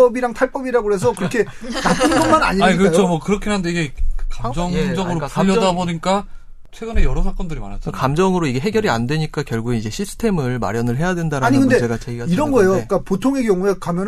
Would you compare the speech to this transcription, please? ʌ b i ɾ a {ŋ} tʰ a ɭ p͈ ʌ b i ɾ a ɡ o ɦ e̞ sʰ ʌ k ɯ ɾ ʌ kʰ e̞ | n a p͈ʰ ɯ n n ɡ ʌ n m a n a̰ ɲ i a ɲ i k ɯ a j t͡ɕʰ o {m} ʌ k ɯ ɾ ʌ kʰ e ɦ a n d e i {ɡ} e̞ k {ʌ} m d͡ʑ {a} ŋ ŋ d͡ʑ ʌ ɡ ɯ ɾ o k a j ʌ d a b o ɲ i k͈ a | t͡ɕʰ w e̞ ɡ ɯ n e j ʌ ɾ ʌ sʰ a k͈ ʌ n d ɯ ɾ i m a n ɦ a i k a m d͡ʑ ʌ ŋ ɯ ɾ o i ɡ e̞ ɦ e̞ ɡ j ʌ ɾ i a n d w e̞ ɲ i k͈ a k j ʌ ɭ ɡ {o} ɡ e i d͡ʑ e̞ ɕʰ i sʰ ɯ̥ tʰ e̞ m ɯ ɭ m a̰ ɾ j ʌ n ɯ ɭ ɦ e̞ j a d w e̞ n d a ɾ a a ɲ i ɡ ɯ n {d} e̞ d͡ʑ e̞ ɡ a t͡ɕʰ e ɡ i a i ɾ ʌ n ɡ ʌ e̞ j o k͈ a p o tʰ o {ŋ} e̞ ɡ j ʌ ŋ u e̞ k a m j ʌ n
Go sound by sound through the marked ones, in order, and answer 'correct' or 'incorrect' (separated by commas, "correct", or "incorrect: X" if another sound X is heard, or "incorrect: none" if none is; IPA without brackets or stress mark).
correct, correct, correct, incorrect: a, incorrect: ʌ, incorrect: u, correct, correct